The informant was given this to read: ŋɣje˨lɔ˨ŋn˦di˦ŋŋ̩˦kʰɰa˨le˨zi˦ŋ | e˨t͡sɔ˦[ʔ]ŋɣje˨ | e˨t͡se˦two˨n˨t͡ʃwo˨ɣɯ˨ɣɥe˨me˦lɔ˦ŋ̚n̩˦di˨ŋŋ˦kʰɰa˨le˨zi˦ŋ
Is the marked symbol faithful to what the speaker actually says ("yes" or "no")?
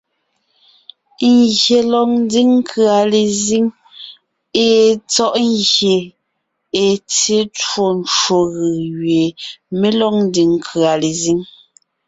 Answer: yes